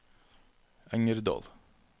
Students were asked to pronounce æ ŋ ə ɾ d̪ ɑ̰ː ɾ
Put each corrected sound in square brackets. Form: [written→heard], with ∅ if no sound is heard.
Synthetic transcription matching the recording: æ ŋ ə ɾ d̪ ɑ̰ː [ɾ→l]